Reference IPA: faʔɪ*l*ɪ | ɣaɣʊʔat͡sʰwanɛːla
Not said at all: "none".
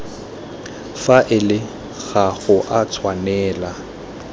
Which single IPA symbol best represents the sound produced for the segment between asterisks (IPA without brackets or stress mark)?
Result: l